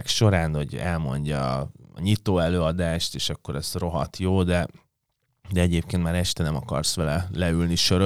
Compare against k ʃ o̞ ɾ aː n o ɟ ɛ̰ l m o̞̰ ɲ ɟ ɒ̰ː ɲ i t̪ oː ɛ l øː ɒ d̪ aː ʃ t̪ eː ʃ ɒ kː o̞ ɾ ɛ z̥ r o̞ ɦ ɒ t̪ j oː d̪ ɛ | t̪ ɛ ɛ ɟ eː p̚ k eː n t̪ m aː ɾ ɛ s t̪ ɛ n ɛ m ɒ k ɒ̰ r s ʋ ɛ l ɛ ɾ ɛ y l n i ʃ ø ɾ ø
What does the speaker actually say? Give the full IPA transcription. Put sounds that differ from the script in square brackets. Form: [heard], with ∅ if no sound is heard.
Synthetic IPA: k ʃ o̞ ɾ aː n o ɟ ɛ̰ l m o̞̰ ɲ ɟ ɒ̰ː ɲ i t̪ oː ɛ l øː ɒ d̪ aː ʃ t̪ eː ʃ ɒ kː o̞ ɾ ɛ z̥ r o̞ ɦ ɒ t̪ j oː d̪ ɛ | [d̪] ɛ ɛ ɟ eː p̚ k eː n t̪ m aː ɾ ɛ [ʃ] t̪ ɛ n ɛ m ɒ k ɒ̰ r s ʋ ɛ l ɛ [l] ɛ y l n i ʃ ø ɾ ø